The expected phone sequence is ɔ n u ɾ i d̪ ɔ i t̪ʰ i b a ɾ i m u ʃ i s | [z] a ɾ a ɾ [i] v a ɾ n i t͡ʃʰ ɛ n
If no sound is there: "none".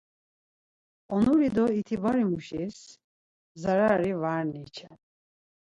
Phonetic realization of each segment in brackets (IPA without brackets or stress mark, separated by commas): z, i